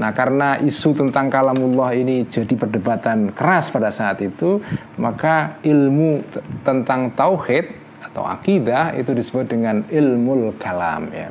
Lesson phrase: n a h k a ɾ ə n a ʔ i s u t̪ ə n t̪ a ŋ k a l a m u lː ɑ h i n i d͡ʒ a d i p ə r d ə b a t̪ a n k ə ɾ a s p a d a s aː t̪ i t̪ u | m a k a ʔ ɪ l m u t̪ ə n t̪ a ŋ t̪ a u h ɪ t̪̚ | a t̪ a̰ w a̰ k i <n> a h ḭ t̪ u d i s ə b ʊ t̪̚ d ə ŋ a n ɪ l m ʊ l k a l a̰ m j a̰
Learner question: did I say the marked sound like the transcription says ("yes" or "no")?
no